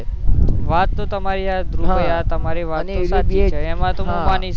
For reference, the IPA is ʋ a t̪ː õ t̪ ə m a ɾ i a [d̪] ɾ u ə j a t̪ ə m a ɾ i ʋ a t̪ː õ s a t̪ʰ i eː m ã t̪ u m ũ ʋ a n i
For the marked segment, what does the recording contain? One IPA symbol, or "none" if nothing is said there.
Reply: d̪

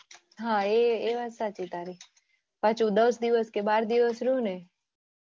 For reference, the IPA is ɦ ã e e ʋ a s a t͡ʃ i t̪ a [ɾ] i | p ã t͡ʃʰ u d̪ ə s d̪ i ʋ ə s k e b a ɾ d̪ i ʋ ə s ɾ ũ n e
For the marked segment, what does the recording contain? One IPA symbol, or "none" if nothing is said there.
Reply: ɾ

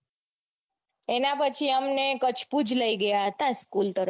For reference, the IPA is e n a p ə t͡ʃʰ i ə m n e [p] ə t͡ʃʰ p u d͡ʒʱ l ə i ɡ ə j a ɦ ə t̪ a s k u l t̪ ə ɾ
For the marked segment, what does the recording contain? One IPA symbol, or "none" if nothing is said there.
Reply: k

